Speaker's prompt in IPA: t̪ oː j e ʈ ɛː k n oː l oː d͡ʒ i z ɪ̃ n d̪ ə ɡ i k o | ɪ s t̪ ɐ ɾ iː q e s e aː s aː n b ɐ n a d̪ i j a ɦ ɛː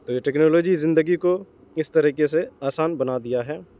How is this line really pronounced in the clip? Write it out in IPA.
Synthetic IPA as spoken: t̪ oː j e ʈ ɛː k n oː l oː d͡ʒ i z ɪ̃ n d̪ ə ɡ i k o | ɪ s t̪ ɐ ɾ iː k e s e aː s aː n b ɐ n a d̪ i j a ɦ ɛː